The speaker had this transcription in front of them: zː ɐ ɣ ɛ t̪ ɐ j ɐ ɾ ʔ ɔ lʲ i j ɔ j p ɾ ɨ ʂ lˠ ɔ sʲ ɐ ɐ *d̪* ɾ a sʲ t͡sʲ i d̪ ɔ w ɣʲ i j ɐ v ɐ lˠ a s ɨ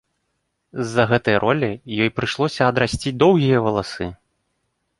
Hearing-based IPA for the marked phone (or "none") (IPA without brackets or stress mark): d̪